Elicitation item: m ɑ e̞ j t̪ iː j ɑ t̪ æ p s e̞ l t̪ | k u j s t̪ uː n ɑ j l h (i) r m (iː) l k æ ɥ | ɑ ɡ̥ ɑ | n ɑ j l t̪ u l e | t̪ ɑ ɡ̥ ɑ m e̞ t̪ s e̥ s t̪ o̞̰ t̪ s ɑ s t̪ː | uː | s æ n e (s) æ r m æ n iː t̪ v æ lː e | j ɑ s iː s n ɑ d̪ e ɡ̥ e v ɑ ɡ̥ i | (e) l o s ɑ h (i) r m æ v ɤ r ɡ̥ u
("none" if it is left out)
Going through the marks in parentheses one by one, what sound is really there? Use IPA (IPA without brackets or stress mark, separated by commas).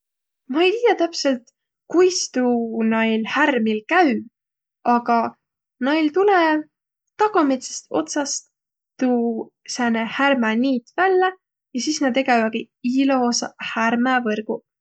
æ, i, h, i, æ